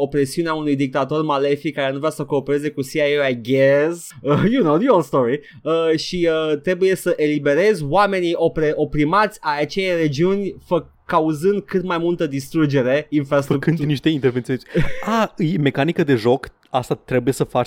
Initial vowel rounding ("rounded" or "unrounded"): rounded